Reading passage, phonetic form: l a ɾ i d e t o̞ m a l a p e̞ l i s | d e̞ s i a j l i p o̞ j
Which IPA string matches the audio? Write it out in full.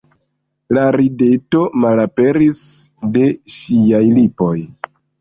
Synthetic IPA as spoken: l a ɾ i d e t o̞ m a l a p e̞ ɾ i s | d e̞ ʃ i a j l i p o̞ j